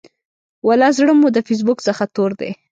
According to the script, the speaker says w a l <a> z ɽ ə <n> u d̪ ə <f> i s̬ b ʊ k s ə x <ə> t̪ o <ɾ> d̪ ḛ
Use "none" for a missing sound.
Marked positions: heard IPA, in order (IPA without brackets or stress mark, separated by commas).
ɑ, m, f, a, ɾ